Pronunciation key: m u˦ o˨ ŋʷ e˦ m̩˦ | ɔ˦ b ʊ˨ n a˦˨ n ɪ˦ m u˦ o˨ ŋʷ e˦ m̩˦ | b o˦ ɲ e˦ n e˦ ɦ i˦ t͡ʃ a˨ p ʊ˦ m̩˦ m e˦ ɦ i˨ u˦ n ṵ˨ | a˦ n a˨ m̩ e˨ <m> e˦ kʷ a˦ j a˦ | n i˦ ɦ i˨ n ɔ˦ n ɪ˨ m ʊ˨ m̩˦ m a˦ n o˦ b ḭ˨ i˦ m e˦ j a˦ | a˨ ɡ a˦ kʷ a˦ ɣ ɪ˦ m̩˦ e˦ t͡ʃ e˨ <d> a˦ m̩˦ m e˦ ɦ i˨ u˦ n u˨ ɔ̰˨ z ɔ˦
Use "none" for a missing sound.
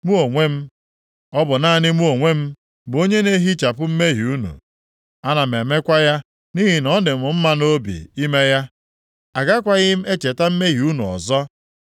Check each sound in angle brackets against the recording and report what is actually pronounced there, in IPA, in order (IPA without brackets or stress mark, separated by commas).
m, t